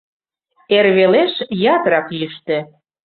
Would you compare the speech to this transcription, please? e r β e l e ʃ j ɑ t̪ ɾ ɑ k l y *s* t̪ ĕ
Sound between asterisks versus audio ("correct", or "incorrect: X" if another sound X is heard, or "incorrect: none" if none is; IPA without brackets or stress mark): incorrect: ʃ